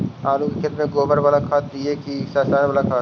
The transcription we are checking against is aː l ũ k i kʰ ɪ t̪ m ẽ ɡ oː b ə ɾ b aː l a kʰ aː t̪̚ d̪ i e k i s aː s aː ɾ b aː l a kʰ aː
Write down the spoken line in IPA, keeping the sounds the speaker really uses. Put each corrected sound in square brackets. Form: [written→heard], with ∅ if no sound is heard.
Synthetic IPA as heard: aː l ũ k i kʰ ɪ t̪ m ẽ ɡ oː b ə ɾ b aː l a kʰ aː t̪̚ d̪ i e k i s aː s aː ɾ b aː l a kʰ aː